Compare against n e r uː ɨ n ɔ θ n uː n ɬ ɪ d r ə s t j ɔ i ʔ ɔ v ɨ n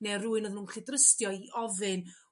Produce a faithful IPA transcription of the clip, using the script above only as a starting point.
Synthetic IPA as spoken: n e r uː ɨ n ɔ ð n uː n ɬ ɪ d r ə s t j ɔ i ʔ ɔ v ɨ n